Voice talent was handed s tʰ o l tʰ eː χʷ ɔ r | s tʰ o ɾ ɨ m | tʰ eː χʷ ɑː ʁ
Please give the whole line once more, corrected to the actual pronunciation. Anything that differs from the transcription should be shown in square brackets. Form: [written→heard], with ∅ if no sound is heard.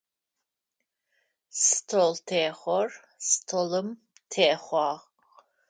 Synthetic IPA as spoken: s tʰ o l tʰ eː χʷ ɔ r | s tʰ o [ɾ→l] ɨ m | tʰ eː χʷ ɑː ʁ